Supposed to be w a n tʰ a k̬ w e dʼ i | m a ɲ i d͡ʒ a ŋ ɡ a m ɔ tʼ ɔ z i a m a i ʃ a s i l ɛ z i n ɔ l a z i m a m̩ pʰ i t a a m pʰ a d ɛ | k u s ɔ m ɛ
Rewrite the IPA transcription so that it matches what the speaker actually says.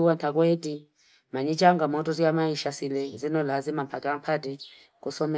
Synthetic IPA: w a n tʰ a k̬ w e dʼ i | m a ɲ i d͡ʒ a ŋ ɡ a m ɔ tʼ ɔ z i a m a i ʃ a s i l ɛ z i n ɔ l a z i m a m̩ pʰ a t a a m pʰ a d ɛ | k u s ɔ m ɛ